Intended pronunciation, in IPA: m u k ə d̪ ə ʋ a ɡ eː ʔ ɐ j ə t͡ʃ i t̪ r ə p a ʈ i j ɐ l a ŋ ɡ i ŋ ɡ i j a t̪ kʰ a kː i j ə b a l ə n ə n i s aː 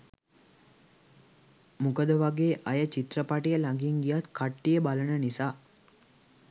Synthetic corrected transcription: m u k ə d̪ ə ʋ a ɡ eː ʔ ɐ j ə t͡ʃ i t̪ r ə p a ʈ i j ə l a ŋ ɡ i ŋ ɡ i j a t̪ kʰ a ʈː i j ə b a l ə n ə n i s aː